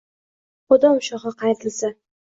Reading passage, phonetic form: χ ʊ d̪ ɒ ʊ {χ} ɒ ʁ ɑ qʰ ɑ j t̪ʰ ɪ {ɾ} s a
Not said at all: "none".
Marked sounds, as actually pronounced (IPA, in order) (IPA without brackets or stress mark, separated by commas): ʃ, l